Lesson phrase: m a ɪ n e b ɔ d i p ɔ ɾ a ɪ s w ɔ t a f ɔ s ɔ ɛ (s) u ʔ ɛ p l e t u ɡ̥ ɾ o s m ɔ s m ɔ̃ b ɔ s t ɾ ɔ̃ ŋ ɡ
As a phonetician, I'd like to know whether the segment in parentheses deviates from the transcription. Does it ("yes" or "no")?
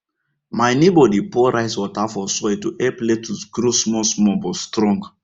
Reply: yes